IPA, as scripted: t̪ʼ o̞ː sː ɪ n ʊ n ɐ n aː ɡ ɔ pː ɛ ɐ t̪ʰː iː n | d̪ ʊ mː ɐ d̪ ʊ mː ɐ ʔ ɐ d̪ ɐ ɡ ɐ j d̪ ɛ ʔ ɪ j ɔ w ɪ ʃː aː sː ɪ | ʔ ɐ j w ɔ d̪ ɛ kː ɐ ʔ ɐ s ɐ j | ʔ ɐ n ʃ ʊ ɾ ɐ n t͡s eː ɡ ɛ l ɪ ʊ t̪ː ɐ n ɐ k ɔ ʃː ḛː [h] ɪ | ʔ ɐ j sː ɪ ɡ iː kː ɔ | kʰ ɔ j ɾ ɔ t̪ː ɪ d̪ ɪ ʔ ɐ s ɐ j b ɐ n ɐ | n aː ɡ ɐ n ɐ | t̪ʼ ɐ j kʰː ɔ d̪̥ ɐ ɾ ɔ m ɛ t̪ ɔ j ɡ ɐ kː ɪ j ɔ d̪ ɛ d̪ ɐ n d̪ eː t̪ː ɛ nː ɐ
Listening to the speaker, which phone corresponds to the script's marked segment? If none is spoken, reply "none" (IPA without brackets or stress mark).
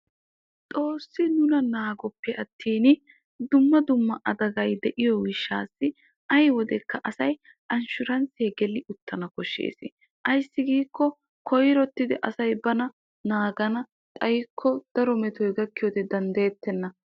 s